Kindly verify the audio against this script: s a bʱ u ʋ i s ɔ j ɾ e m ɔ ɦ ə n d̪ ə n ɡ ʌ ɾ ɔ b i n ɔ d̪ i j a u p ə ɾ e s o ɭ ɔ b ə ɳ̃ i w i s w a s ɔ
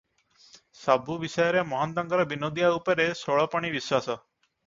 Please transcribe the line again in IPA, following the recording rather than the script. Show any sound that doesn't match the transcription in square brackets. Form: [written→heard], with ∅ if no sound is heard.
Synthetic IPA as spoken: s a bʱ u ʋ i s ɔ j ɾ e m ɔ ɦ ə n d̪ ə [n→ŋ] ɡ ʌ ɾ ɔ b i n [ɔ→o] d̪ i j a u p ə ɾ e s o ɭ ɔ [b→p] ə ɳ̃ i [w→ʋ] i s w a s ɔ